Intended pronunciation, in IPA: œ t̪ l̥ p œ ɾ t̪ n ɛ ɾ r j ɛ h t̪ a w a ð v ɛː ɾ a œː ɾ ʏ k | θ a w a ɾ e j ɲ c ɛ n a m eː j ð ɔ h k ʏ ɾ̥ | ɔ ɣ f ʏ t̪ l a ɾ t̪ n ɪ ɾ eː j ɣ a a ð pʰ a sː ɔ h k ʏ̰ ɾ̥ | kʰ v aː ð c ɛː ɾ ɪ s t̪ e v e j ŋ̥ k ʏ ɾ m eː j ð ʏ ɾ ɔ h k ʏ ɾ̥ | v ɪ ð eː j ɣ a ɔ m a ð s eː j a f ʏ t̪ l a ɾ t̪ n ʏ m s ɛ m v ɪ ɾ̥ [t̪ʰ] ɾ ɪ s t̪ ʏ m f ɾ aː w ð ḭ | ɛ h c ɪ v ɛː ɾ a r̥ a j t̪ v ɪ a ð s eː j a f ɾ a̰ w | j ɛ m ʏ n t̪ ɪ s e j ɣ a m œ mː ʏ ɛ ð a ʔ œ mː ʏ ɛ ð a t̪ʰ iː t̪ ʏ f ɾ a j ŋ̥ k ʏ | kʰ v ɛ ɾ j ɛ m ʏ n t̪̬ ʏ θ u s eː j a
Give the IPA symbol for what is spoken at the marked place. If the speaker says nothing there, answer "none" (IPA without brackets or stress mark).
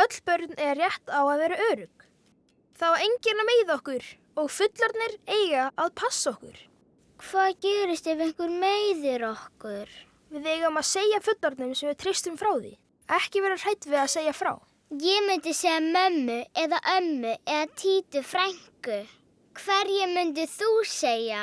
t̪ʰ